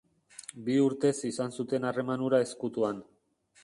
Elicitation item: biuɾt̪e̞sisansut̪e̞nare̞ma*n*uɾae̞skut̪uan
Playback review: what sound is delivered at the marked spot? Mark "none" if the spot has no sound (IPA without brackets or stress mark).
n